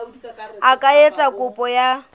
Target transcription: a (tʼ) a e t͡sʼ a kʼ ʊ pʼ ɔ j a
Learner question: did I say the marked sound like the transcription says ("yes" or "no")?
no